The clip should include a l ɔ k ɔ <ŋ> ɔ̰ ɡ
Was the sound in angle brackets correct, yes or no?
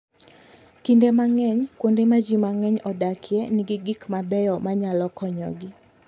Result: no